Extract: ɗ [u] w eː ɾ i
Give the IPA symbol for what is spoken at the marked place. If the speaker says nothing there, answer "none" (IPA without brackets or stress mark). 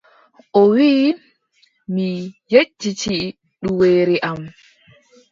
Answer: u